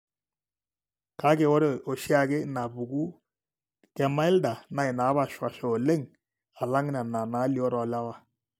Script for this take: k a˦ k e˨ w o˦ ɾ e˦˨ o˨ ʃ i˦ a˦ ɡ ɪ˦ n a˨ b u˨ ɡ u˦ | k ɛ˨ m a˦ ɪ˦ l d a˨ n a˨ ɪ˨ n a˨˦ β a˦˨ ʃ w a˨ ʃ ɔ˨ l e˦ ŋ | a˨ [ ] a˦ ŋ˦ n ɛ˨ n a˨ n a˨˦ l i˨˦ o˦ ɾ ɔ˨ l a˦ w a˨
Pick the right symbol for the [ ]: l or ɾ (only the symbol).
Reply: l